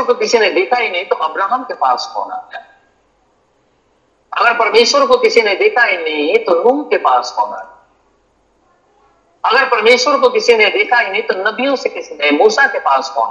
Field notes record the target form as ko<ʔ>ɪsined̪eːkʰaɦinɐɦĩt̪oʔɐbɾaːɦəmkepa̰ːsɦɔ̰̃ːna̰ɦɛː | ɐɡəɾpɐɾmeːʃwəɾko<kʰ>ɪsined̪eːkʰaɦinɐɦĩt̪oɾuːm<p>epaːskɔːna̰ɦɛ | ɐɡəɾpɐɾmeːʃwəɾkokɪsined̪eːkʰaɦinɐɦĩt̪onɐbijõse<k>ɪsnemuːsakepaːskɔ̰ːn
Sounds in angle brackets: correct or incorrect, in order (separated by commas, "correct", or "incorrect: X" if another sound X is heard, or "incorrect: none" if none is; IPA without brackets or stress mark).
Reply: incorrect: k, incorrect: k, incorrect: k, correct